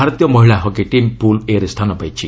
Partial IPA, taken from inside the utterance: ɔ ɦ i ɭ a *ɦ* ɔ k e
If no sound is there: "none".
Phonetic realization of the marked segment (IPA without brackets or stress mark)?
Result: ɦ